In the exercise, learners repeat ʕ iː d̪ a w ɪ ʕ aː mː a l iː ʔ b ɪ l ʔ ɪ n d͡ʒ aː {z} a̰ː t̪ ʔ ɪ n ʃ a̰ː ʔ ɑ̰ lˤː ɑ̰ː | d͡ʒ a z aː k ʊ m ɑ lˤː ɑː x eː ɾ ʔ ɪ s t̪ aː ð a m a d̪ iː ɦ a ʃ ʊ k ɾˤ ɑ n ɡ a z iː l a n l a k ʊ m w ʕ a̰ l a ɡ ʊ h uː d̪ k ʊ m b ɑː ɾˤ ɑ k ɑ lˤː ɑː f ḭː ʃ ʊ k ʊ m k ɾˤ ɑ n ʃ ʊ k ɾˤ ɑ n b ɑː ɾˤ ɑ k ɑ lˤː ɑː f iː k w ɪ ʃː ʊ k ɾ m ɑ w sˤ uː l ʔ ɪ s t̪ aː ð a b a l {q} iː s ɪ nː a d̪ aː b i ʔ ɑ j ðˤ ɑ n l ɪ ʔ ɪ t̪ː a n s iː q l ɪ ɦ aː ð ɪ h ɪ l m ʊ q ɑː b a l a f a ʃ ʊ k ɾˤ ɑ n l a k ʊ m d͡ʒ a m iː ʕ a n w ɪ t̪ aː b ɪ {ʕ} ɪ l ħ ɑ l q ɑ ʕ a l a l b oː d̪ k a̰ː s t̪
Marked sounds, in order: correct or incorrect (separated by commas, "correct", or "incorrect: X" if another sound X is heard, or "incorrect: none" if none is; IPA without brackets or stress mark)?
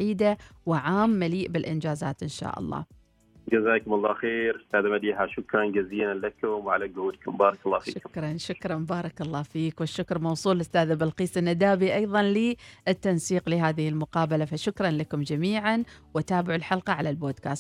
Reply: correct, correct, correct